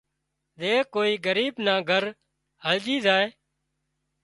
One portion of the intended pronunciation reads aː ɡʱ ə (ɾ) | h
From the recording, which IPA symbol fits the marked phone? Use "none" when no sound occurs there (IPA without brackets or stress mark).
ɾ